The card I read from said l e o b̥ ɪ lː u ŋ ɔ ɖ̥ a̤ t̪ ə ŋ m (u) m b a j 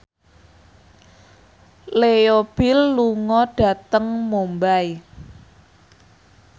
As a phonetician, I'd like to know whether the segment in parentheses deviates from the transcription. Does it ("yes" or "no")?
yes